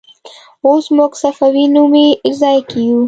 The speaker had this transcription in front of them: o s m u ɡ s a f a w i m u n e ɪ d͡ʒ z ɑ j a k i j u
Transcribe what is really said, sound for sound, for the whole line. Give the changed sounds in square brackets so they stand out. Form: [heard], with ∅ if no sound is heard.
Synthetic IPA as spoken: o s m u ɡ s a f a w i [n] u [m] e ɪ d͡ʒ z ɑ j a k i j u